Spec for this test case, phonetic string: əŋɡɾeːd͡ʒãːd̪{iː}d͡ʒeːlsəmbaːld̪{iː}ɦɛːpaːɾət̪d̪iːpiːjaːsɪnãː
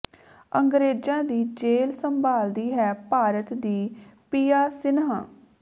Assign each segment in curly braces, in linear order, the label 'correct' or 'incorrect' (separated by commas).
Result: correct, correct